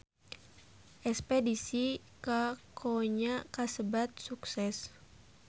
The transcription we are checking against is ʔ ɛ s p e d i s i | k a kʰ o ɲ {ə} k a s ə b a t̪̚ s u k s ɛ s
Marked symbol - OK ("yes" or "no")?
no